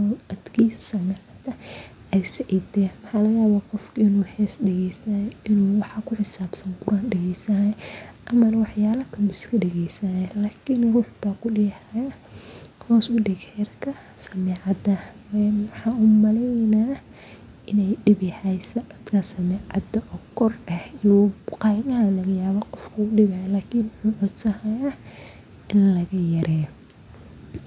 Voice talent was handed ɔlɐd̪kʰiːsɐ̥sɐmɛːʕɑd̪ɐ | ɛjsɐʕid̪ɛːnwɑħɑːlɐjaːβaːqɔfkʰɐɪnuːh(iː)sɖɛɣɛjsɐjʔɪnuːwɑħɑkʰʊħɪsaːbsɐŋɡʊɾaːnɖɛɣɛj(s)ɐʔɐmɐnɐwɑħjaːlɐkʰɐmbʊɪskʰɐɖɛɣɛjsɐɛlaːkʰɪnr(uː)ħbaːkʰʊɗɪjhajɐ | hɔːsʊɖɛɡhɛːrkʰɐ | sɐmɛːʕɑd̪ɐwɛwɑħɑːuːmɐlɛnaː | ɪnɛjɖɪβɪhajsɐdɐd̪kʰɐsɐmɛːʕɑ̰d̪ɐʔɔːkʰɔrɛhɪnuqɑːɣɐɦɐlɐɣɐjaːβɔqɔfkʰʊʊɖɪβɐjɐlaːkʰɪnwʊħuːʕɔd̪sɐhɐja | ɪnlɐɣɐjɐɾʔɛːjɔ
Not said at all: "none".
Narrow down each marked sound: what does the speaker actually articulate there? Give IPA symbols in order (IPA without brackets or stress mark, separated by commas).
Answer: ɛː, s, uː